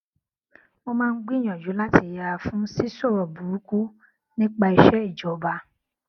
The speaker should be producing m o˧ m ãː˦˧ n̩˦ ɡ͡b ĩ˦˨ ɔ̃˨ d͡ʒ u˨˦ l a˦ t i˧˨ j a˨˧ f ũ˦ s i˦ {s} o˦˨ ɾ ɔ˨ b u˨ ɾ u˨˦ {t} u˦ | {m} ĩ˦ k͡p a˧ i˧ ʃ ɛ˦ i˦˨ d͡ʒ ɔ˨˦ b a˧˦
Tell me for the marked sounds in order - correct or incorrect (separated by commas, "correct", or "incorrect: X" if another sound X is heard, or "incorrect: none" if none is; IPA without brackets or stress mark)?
correct, incorrect: k, incorrect: n